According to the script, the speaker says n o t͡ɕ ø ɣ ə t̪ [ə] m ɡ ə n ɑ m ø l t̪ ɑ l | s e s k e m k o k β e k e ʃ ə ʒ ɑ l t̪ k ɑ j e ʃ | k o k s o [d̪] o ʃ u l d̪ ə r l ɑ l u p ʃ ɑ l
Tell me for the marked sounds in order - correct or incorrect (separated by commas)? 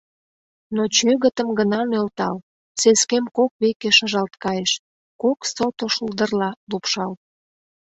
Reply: correct, incorrect